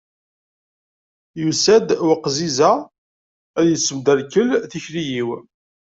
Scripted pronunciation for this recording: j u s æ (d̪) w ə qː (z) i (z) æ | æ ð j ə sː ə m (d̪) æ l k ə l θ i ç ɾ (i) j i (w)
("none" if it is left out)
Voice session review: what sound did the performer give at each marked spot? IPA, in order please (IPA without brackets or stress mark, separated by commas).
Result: d̪, z, z, d̪, i, w